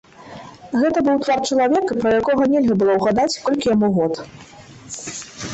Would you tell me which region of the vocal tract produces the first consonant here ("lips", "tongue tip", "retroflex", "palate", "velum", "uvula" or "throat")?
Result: velum